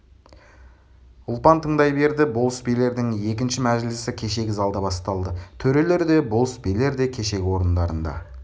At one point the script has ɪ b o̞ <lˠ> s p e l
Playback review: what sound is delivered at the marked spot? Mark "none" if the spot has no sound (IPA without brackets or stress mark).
lˠ